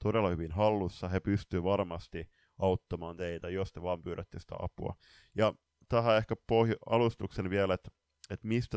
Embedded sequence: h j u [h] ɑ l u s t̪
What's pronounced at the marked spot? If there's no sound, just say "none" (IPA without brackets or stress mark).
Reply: none